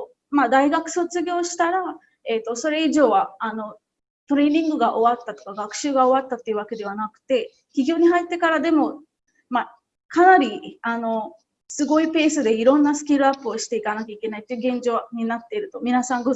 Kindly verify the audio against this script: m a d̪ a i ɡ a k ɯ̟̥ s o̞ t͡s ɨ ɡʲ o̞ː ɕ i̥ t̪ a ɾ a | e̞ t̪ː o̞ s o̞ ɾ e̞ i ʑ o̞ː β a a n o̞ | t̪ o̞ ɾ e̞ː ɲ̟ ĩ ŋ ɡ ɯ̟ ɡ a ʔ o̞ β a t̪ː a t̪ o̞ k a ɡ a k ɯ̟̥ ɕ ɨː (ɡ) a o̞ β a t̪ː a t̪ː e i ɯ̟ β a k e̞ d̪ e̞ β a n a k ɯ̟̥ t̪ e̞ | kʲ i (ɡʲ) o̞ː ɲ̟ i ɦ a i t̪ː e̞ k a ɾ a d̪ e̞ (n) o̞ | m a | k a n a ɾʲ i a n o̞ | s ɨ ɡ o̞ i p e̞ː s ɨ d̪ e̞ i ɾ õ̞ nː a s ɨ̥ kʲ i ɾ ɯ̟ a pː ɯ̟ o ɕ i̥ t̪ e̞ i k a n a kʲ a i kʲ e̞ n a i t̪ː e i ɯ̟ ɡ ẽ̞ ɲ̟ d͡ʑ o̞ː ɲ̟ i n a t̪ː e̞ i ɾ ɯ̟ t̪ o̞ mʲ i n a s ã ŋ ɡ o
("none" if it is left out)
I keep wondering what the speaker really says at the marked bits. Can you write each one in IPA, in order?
ɡ, ɡʲ, m

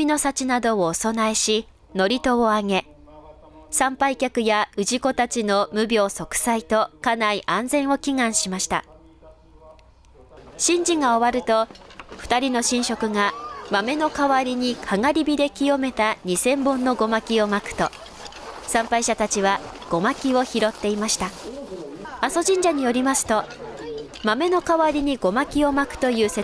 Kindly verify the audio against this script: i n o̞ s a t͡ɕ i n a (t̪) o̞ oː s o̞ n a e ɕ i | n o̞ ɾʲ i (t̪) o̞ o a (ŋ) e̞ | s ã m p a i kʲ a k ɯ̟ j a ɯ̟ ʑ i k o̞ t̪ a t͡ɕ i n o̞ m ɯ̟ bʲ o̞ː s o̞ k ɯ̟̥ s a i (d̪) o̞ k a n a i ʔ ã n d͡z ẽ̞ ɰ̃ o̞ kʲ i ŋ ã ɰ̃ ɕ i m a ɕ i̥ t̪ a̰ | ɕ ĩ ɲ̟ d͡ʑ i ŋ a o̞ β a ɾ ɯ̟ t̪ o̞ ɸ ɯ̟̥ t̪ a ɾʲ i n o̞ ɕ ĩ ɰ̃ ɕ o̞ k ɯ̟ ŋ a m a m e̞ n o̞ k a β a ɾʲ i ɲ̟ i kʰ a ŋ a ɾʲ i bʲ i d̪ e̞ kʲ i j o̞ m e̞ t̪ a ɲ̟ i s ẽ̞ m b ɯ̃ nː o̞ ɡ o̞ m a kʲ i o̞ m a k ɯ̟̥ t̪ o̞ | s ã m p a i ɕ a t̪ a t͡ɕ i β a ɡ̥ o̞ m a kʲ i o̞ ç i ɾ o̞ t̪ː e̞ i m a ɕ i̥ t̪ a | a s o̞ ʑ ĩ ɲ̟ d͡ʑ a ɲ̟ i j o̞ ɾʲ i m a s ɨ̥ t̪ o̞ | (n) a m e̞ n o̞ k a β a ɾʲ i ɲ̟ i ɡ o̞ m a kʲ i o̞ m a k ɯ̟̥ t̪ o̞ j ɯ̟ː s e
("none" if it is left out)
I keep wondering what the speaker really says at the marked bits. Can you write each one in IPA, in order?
d̪, t̪, ŋ, t̪, m

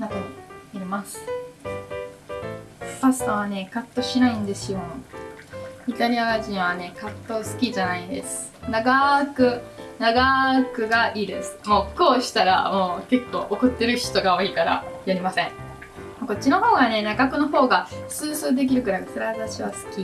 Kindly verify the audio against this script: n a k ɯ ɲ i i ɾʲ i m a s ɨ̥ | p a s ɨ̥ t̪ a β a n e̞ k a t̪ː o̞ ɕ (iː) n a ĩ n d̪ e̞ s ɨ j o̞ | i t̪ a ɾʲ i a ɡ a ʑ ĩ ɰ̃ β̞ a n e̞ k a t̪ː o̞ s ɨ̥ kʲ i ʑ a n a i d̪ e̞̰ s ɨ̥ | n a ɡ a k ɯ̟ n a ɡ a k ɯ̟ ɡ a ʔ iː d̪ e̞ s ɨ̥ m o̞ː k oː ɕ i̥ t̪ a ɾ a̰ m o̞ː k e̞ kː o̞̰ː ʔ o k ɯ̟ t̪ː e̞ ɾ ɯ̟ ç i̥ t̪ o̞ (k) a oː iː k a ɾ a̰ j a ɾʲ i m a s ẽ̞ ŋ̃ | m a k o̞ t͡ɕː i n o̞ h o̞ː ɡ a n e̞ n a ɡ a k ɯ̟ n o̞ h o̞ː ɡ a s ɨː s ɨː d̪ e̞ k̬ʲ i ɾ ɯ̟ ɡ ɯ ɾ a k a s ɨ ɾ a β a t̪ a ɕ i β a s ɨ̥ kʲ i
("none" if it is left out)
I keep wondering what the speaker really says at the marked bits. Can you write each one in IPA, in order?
i, ɡ

